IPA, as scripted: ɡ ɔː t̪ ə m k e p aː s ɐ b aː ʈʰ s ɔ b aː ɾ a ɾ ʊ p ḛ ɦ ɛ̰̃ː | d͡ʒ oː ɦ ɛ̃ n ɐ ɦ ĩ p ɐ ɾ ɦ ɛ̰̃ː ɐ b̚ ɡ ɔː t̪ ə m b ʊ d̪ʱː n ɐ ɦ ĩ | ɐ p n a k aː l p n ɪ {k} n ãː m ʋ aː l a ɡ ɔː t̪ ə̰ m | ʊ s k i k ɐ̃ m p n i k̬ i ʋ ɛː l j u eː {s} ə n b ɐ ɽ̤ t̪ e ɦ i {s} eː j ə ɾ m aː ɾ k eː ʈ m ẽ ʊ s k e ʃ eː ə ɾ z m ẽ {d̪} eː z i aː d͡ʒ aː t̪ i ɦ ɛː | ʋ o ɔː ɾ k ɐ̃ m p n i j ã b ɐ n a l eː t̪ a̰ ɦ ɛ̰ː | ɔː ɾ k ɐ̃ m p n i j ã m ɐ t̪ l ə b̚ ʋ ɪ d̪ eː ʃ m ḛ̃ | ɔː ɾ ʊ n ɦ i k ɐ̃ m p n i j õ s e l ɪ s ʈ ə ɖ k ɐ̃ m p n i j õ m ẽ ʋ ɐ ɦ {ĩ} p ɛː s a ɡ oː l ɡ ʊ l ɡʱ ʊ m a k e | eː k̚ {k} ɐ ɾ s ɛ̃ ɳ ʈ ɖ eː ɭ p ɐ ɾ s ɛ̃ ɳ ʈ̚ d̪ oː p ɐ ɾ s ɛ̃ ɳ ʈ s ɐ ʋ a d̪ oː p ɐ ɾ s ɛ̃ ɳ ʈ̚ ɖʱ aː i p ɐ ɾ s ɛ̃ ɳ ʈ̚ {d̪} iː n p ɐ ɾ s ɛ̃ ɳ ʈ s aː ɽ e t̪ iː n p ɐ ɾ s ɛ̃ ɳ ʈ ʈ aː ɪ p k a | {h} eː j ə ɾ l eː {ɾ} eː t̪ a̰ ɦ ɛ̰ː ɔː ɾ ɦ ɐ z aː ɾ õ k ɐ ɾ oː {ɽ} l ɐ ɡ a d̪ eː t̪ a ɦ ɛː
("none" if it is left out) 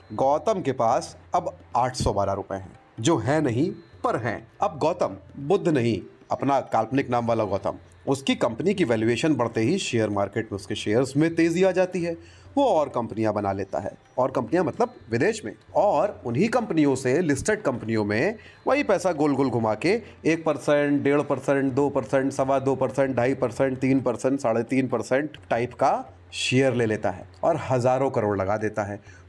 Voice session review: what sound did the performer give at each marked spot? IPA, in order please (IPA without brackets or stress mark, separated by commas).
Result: k, ʃ, ʃ, t̪, i, p, t̪, ʃ, l, ɽ